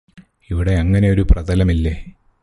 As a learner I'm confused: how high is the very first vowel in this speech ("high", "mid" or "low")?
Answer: high